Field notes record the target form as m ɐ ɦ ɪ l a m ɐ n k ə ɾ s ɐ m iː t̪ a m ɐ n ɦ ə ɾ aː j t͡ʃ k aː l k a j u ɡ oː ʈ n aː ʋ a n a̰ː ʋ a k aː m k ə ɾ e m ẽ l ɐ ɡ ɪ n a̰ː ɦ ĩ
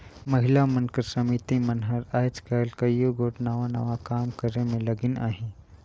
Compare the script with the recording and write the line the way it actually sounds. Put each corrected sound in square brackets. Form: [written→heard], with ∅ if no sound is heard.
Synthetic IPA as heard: m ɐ ɦ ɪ l a m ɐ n k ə ɾ s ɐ m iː t̪ [a→i] m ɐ n ɦ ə ɾ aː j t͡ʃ k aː l k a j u ɡ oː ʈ n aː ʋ a n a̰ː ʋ a k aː m k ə ɾ e m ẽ l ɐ ɡ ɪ n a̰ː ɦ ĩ